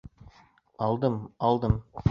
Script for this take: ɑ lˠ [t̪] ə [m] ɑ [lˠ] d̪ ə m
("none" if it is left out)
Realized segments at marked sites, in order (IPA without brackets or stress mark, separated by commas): d̪, m, lˠ